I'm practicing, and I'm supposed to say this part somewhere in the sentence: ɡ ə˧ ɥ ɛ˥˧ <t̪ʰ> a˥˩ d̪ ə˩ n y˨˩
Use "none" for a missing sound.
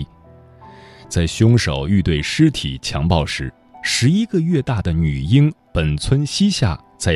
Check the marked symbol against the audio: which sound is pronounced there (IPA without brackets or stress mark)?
t̪